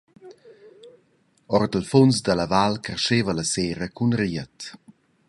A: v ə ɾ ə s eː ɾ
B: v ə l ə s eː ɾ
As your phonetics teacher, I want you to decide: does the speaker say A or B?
B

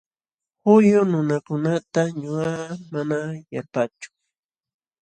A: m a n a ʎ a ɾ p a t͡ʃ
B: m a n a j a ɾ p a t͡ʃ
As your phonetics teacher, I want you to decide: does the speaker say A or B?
B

